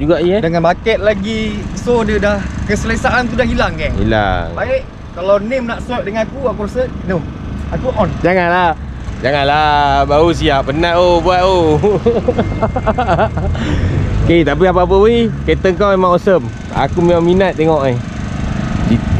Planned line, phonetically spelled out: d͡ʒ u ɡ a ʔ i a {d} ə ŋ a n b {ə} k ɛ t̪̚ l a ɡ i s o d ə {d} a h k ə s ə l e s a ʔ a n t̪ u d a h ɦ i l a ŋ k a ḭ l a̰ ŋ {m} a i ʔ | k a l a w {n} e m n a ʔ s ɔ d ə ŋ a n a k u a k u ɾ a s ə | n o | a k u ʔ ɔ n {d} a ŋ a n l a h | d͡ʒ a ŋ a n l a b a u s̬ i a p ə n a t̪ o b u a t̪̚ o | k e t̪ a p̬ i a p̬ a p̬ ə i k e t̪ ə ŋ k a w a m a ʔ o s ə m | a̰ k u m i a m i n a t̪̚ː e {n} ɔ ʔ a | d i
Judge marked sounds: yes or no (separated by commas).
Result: yes, no, yes, no, yes, no, no